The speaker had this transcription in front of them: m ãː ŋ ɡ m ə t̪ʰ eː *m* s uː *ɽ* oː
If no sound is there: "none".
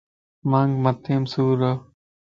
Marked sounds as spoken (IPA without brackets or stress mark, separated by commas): m, ɾ